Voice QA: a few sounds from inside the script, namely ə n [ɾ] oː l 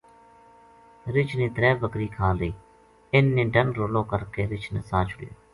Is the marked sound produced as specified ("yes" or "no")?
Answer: yes